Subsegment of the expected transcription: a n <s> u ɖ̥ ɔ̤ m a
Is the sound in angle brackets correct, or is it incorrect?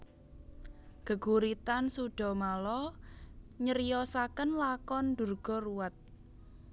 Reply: correct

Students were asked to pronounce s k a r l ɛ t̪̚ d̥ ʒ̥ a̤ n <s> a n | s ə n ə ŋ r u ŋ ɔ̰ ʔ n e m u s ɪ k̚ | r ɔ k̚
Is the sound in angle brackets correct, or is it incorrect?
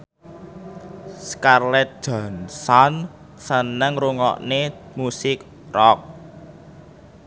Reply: correct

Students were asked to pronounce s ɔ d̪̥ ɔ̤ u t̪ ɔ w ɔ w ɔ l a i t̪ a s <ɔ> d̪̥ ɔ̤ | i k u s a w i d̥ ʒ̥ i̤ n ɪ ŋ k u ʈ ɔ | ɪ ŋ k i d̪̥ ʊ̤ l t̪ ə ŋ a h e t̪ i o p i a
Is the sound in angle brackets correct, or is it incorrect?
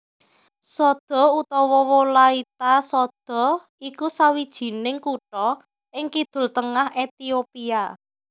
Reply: correct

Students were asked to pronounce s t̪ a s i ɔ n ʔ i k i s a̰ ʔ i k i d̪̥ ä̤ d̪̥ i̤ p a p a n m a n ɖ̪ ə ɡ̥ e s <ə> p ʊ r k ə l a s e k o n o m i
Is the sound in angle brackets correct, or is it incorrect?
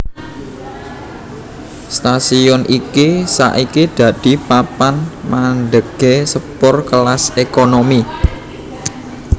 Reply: correct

